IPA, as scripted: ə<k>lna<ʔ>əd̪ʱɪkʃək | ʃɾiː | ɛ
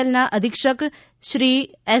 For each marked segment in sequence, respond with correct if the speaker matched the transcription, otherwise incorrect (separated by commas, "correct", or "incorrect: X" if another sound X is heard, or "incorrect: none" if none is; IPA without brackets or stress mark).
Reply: incorrect: none, correct